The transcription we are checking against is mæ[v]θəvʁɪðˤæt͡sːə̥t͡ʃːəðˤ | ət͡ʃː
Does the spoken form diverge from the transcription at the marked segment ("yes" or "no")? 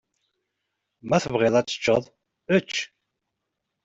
yes